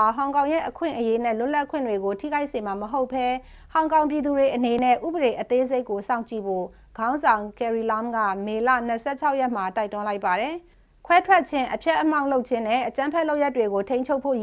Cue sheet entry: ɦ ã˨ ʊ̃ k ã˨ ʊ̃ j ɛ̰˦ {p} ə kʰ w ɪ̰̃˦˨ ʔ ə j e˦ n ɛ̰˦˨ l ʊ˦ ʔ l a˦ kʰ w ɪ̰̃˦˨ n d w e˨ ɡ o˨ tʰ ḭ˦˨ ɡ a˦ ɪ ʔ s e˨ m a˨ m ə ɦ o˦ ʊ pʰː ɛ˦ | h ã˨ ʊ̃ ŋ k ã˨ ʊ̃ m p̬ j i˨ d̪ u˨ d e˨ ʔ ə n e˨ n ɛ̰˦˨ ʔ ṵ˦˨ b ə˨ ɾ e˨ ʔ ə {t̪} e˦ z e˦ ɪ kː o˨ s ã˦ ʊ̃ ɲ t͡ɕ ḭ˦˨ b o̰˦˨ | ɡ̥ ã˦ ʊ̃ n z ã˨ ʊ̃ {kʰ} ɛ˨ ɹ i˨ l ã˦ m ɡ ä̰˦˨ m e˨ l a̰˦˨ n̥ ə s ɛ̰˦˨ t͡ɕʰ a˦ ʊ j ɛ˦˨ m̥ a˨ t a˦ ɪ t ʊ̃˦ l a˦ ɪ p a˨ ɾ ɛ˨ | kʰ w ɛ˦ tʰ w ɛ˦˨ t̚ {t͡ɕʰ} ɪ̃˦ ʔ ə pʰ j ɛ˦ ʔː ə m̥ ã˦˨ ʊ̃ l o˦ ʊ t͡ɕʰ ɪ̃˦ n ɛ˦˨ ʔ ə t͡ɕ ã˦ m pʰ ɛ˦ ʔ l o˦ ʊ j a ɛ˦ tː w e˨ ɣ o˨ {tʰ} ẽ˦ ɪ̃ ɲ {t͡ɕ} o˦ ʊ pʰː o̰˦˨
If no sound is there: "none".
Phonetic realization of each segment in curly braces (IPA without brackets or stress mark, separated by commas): ʔ, t̪, k, t͡ɕʰ, tʰ, t͡ɕʰ